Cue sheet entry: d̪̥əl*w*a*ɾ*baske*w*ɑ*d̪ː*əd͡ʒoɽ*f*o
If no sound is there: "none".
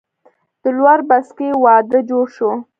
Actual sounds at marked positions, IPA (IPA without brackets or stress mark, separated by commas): w, ɾ, w, d̪, ʃ